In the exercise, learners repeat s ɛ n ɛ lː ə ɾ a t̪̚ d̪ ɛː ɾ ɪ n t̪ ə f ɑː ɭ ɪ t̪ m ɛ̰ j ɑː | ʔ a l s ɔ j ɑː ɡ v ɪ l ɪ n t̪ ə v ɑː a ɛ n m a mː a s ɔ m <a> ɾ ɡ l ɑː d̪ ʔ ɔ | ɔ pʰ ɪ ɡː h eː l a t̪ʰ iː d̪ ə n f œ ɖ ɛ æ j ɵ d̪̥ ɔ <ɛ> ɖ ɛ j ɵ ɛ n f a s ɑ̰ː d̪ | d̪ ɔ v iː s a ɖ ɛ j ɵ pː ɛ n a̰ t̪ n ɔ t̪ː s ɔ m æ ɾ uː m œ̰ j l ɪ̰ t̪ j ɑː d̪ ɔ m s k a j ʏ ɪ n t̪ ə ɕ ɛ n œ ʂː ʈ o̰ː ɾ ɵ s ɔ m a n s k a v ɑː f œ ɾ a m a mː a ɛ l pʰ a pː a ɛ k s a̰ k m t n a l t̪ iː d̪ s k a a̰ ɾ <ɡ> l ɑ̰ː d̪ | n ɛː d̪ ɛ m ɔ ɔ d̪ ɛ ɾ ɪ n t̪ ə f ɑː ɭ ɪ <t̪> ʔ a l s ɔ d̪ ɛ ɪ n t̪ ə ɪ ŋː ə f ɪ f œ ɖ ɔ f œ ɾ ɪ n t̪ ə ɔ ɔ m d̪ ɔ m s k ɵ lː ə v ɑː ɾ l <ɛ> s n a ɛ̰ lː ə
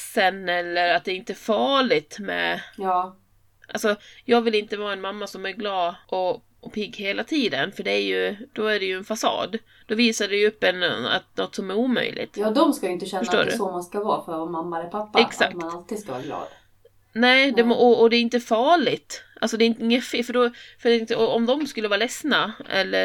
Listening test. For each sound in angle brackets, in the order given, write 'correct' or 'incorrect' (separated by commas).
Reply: incorrect, incorrect, correct, correct, correct